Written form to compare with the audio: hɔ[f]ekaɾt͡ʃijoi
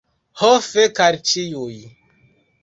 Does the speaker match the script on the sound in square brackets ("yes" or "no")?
yes